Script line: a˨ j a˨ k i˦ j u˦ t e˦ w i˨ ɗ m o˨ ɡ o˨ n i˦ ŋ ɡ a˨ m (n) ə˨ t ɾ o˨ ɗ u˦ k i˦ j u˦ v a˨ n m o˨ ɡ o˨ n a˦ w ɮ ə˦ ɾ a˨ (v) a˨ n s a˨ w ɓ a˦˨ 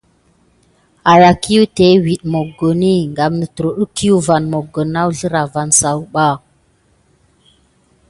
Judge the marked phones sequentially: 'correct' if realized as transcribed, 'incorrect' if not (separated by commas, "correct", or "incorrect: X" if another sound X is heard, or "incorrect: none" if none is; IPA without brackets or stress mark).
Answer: correct, correct